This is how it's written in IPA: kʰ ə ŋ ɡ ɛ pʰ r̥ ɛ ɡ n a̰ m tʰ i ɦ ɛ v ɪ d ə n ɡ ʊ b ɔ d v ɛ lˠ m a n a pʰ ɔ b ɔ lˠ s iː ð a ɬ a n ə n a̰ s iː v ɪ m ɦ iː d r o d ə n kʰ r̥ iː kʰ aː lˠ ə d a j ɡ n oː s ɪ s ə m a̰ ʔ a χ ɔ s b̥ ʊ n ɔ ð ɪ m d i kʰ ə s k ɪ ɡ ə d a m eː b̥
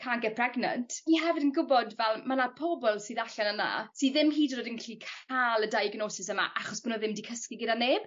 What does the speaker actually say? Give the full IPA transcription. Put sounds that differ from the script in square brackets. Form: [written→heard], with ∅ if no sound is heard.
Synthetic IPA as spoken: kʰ [ə→a] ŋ ɡ ɛ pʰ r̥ ɛ ɡ n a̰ [m→n] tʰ i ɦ ɛ v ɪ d ə n ɡ ʊ b ɔ d v ɛ lˠ m a n a pʰ ɔ b ɔ lˠ s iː ð a ɬ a n ə n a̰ s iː [v→ð] ɪ m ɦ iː d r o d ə n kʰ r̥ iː kʰ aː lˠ ə d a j ɡ n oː s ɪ s ə m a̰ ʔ a χ ɔ s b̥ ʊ n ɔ ð ɪ m d i kʰ ə s k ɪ ɡ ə d a [m→n] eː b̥